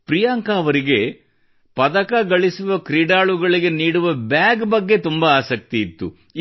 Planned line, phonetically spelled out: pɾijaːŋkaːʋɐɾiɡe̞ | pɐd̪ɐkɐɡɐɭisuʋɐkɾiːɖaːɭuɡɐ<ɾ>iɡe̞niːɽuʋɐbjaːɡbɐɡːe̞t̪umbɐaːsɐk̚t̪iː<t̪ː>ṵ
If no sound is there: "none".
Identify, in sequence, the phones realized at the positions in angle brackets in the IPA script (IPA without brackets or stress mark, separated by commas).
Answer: ɭ, t̪ː